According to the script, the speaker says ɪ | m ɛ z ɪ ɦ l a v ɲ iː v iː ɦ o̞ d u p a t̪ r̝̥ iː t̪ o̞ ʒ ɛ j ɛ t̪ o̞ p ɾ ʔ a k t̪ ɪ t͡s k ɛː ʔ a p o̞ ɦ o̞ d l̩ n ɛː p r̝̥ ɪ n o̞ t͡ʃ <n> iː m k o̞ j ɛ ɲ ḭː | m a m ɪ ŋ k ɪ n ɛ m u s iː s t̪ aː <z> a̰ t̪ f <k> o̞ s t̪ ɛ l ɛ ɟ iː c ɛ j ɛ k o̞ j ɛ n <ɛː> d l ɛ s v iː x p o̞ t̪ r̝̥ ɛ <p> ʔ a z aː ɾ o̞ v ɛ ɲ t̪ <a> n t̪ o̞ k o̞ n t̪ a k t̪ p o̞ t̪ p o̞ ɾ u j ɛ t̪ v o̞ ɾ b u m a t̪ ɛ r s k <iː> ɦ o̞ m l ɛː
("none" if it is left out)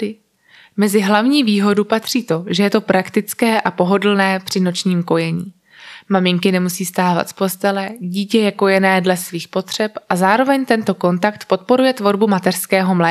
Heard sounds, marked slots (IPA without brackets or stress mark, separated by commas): ɲ, v, p, ɛː, p, ɛ, ɛː